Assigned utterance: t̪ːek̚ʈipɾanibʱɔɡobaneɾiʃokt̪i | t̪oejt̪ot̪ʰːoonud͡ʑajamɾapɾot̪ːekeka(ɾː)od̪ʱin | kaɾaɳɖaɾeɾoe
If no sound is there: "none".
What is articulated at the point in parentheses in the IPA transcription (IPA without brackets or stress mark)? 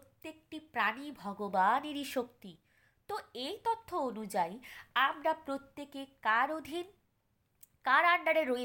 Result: ɾ